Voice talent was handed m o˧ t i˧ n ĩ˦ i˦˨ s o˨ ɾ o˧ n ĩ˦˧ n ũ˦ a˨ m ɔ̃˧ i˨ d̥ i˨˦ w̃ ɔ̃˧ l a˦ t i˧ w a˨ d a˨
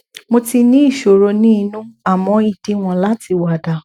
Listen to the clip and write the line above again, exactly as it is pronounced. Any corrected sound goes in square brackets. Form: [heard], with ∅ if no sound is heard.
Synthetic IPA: m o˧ t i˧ n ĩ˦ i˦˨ [ʃ] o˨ ɾ o˧ n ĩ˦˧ n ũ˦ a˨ m ɔ̃˧ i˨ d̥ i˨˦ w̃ ɔ̃˧ l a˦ t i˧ w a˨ d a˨